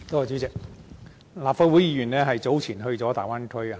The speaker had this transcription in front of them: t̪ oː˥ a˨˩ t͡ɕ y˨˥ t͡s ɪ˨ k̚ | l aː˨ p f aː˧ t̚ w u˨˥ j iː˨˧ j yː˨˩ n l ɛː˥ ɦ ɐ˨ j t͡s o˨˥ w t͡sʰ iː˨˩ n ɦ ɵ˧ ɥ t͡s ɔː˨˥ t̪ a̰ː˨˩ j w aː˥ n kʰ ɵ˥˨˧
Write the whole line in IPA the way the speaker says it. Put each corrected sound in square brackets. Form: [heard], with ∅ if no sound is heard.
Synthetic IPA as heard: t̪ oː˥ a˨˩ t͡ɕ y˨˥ t͡s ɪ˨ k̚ | l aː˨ p f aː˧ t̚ w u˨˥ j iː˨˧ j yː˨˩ n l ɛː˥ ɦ ɐ˨ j t͡s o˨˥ w t͡sʰ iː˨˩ n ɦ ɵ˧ ɥ t͡s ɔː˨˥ t̪ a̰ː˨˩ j w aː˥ n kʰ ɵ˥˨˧